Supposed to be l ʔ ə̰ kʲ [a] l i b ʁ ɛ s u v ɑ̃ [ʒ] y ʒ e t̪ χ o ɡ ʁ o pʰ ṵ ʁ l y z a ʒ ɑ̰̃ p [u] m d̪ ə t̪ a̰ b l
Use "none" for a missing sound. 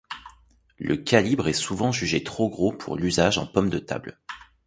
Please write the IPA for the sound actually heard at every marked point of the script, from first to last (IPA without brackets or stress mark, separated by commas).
a, ʒ, ɔ